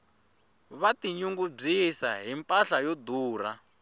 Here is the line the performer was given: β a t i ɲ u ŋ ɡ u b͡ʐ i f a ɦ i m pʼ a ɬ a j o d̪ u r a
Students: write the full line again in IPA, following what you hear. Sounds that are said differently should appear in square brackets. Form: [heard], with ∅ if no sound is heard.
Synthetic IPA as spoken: β a t i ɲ u ŋ ɡ u b͡ʐ i [s] a ɦ i m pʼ a ɬ a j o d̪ [uː] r a